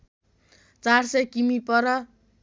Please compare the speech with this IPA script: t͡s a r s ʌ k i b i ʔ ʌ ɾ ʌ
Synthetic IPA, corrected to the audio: t͡s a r s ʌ k i m i p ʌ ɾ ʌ